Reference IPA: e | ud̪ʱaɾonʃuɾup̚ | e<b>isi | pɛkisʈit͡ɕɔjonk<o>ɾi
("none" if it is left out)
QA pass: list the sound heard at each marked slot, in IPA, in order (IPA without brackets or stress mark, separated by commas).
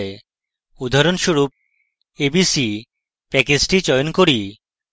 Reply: b, o